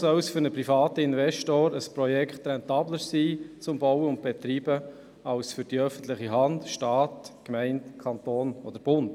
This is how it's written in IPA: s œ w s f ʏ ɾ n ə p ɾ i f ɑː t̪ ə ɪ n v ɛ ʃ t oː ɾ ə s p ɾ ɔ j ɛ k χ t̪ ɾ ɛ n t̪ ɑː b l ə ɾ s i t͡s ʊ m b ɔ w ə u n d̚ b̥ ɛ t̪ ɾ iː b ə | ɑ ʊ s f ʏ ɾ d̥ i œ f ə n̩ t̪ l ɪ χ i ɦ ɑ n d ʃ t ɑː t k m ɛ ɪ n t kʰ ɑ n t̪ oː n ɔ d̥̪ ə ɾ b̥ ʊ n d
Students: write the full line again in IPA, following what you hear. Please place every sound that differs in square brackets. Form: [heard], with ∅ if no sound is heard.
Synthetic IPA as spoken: s œ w s f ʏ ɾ n ə p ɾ i f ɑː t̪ ə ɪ n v ɛ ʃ t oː ɾ ə s p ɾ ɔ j ɛ k χ t̪ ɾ ɛ n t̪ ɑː b l ə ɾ s [iː] t͡s ʊ m b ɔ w ə [ʊ] n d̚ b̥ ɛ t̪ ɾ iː b ə | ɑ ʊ s f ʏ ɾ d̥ i œ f ə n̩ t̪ l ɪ χ i ɦ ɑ n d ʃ t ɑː t k m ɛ ɪ n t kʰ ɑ n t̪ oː n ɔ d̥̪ ə ɾ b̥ ʊ n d